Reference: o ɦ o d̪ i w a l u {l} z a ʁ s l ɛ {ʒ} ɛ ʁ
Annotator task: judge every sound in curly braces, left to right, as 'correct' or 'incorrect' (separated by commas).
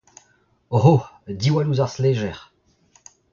incorrect, correct